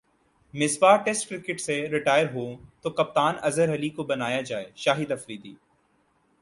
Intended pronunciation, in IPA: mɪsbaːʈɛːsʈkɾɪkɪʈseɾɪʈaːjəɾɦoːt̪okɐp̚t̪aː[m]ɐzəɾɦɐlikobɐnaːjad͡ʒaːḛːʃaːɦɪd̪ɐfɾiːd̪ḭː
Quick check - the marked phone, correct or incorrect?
incorrect: n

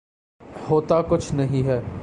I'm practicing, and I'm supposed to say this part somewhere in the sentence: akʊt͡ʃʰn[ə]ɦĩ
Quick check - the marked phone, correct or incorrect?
incorrect: ɐ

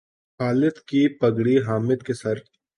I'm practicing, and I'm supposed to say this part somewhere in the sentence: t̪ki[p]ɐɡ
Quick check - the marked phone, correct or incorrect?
correct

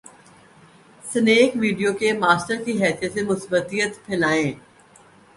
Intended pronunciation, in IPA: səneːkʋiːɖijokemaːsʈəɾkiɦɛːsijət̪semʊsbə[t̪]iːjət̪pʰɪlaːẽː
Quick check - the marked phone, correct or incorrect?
correct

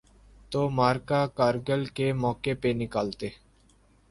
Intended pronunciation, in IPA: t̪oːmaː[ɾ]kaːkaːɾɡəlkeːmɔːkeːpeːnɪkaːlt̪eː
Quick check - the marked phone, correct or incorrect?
correct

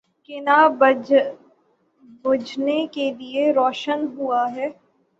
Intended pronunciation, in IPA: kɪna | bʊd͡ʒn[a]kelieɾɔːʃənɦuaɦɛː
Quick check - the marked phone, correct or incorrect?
incorrect: e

